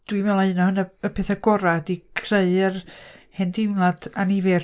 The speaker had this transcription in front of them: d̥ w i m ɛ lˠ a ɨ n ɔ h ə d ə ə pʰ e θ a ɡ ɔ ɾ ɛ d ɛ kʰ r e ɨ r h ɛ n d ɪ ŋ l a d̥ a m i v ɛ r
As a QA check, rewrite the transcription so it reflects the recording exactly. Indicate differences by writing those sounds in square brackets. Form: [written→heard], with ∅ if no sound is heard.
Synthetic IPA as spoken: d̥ w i m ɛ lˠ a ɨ n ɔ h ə [d→n] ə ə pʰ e θ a ɡ ɔ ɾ [ɛ→a] d [ɛ→i] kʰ r e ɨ r h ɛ n d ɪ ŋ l a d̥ a [m→n] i v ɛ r